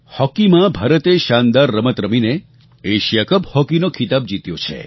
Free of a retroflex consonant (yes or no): yes